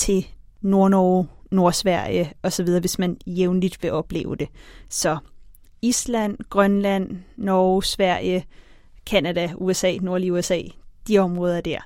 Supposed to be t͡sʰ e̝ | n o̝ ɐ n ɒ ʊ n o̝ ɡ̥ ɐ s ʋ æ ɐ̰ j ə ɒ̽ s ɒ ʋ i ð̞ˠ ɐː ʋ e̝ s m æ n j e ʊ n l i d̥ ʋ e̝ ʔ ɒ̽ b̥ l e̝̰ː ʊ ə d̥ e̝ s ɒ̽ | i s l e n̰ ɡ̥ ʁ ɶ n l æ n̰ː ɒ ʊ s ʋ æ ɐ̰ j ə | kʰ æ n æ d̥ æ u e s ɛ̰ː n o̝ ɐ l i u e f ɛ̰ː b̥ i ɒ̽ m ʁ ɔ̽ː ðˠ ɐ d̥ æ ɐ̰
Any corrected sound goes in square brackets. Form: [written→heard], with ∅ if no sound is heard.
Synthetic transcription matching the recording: t͡sʰ e̝ | n o̝ ɐ n ɒ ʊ n o̝ [ɡ̥→∅] ɐ s ʋ æ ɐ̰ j ə ɒ̽ s ɒ ʋ i ð̞ˠ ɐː ʋ e̝ s m æ n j e ʊ n l i d̥ ʋ e̝ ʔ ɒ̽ b̥ l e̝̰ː ʊ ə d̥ e̝ s ɒ̽ | i s l [e→æ] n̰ ɡ̥ ʁ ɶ n l æ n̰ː ɒ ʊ s ʋ æ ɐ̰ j ə | kʰ æ n æ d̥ æ u e s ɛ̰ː n o̝ ɐ l i u e [f→s] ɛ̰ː [b̥→d̥] i ɒ̽ m ʁ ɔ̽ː ðˠ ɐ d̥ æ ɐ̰